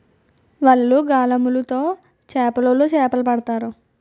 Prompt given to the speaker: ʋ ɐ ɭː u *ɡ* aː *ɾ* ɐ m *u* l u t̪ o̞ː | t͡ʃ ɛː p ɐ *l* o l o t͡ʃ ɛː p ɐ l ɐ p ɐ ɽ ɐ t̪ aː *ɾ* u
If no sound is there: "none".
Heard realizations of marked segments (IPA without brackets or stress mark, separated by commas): ɡ, l, u, l, ɾ